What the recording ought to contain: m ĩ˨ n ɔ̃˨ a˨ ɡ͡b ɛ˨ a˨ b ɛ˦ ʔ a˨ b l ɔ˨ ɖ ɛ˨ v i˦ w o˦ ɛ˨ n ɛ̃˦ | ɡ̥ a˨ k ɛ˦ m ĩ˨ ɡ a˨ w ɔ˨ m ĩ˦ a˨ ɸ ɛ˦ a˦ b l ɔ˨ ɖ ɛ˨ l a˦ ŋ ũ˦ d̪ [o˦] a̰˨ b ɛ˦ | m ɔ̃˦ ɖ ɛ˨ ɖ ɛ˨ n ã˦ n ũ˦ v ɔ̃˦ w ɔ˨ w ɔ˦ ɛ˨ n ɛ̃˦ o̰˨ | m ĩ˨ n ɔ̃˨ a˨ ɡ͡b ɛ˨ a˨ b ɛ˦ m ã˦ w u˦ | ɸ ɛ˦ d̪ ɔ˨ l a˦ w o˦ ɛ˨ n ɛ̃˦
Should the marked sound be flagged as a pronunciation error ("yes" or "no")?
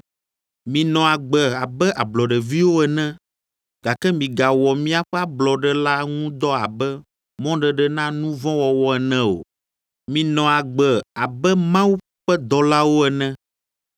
yes